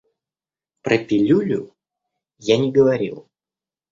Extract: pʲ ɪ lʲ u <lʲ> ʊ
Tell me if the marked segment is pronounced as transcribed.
yes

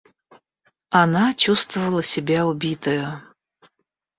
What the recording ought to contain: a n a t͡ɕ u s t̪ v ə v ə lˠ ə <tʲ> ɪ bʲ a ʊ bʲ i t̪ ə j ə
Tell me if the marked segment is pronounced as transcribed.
no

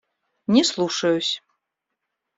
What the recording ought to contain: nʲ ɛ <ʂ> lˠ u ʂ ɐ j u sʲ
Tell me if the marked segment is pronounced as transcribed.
no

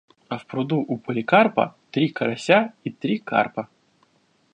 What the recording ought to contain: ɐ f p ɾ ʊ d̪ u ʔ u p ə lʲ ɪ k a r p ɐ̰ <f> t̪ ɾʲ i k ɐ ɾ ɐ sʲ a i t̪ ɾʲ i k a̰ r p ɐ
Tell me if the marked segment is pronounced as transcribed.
no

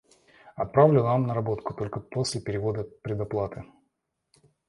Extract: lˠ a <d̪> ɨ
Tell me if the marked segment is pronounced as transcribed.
no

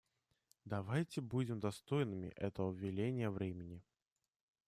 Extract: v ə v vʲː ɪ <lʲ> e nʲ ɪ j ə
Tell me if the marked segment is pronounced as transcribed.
yes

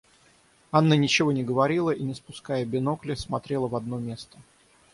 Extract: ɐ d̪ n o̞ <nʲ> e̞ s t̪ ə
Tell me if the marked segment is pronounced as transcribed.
no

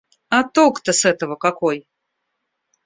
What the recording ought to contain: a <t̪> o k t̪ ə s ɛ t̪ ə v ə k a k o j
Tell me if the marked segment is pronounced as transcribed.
yes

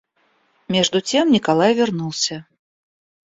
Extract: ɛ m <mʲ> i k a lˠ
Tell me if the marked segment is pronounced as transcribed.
no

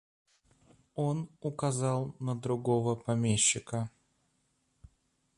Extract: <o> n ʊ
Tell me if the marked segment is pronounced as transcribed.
yes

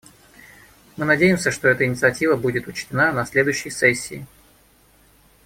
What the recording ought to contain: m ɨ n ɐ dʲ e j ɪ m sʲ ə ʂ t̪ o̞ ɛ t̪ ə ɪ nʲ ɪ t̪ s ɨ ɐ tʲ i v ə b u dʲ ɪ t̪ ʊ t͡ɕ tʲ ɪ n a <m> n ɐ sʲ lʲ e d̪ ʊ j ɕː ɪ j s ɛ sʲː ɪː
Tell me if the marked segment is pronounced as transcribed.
no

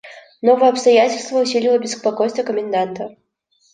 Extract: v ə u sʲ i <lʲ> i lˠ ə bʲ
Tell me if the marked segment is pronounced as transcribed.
yes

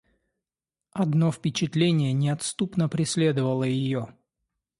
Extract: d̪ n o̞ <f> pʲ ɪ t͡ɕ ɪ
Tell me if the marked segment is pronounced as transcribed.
yes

